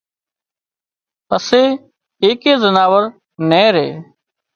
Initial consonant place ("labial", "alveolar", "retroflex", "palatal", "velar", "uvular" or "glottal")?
alveolar